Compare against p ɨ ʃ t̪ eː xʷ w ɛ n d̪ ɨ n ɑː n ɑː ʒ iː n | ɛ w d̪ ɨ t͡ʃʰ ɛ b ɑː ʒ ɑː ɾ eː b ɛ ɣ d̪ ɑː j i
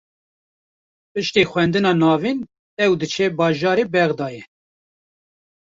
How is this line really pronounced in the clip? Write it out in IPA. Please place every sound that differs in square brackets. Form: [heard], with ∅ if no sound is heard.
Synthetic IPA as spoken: p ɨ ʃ t̪ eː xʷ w ɛ n d̪ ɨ n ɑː n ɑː [v] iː n | ɛ w d̪ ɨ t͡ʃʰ ɛ b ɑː ʒ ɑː ɾ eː b ɛ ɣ d̪ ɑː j [ɛ]